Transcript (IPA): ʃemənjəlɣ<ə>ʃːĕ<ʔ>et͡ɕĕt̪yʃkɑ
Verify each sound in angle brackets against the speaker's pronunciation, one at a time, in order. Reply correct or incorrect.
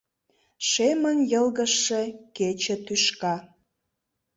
correct, incorrect: k

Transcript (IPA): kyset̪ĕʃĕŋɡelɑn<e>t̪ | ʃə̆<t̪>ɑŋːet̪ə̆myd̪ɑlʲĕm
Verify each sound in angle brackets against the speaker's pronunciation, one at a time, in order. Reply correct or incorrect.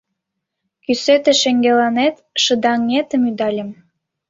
correct, incorrect: d̪

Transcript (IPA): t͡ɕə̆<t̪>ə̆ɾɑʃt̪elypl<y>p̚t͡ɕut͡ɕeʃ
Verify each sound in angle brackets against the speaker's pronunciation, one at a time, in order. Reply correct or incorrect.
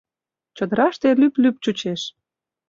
incorrect: d̪, correct

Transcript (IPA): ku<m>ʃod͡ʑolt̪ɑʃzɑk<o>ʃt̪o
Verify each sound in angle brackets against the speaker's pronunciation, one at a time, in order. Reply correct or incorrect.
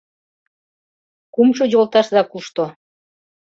correct, incorrect: u

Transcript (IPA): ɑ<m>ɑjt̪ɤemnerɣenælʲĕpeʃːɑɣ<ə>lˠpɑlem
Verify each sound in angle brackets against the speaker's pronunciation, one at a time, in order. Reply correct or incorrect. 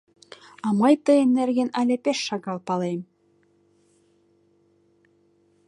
correct, incorrect: ɑ

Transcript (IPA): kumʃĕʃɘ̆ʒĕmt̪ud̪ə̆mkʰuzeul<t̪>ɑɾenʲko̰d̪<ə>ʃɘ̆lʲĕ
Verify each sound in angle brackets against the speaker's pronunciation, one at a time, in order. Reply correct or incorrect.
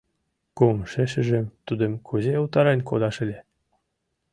correct, incorrect: ɑ

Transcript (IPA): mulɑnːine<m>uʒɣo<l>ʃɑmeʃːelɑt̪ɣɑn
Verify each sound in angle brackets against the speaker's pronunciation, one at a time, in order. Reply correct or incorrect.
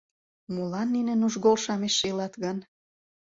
incorrect: n, correct

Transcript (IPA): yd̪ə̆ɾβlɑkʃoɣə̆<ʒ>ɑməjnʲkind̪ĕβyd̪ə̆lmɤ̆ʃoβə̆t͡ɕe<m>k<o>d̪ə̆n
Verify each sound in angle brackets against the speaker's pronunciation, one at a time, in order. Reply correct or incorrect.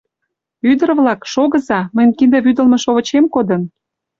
incorrect: z, correct, correct

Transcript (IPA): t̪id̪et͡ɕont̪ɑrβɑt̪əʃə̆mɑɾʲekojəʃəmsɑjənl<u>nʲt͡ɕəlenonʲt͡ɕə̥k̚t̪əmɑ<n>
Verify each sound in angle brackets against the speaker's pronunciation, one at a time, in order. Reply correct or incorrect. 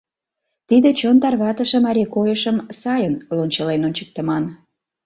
incorrect: o, correct

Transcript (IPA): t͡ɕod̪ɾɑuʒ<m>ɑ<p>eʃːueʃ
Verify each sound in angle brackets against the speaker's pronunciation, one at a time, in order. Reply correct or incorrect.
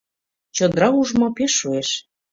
correct, correct

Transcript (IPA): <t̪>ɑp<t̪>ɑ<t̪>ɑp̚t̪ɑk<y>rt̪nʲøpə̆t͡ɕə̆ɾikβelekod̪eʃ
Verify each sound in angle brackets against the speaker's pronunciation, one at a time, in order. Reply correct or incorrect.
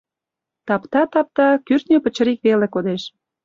correct, correct, correct, correct

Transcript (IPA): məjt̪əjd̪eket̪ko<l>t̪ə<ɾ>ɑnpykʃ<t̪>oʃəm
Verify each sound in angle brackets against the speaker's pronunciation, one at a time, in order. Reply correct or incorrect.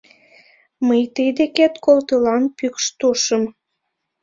correct, incorrect: l, correct

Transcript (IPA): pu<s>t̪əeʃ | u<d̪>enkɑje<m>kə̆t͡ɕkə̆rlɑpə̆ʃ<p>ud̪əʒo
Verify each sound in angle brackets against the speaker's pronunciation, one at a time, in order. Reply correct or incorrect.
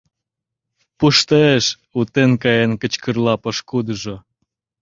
incorrect: ʃ, incorrect: t̪, incorrect: n, incorrect: k

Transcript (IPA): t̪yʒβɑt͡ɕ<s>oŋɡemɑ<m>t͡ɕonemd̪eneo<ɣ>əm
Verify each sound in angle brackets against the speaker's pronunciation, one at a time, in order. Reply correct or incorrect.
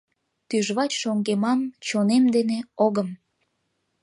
incorrect: ʃ, correct, correct

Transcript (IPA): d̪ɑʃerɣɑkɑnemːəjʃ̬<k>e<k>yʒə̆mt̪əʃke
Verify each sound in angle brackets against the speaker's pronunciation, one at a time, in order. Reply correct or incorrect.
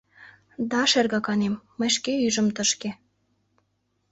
correct, incorrect: none

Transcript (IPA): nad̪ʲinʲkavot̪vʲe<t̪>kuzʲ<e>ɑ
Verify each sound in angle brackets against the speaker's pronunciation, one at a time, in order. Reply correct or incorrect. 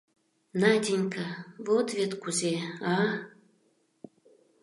correct, correct

